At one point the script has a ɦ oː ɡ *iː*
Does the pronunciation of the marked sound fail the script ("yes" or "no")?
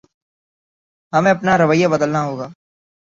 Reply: yes